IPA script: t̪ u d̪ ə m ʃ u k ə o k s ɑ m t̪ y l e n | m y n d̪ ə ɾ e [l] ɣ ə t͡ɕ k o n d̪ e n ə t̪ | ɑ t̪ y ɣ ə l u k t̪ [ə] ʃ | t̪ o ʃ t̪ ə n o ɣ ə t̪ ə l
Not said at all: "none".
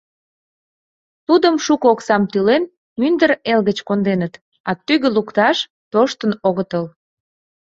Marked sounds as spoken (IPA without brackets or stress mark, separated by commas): l, ɑ